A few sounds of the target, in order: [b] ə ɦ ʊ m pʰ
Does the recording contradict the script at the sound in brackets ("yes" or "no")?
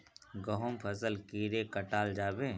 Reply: yes